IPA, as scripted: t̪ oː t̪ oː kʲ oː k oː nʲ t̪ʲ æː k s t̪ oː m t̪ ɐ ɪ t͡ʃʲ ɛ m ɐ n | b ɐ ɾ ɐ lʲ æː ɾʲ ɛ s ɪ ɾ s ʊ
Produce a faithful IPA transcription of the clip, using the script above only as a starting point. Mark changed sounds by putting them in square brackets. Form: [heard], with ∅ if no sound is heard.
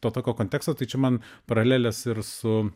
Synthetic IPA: t̪ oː t̪ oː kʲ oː k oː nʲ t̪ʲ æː k s t̪ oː [∅] t̪ ɐ ɪ t͡ʃʲ ɛ m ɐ n | [p] ɐ ɾ ɐ lʲ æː [lʲ] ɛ s ɪ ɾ s ʊ